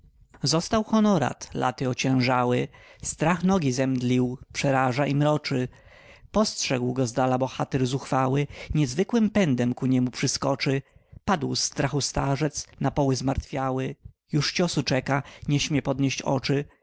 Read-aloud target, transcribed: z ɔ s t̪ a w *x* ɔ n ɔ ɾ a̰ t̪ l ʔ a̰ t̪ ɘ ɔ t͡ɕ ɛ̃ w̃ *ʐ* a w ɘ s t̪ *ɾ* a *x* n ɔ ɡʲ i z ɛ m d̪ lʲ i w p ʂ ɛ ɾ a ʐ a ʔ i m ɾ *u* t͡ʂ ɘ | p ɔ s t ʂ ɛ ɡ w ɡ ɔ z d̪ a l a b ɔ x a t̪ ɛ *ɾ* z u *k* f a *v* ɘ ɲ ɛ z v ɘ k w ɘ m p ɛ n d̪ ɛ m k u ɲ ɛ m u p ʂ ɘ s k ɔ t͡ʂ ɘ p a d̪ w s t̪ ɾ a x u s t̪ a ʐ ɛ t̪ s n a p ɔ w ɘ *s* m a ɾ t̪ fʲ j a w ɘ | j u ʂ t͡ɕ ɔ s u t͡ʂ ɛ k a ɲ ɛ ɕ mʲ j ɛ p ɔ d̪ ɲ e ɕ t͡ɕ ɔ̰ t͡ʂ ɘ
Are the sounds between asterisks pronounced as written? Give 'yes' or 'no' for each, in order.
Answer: yes, yes, yes, yes, no, yes, no, no, no

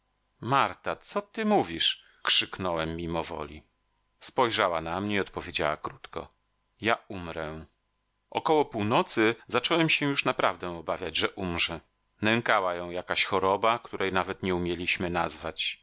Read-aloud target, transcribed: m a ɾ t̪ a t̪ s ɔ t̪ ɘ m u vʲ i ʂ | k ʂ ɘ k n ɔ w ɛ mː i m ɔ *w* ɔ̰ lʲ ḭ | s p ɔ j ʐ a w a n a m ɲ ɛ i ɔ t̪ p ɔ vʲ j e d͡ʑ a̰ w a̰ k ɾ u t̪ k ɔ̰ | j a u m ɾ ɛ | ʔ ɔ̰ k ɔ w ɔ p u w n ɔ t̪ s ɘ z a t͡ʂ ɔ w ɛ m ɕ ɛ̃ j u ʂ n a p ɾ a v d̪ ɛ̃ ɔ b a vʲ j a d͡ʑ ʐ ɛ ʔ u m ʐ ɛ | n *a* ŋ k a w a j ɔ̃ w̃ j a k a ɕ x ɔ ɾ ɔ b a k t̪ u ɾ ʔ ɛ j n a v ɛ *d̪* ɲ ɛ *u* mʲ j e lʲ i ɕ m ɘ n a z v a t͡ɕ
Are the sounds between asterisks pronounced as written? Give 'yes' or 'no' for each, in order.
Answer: no, no, no, yes

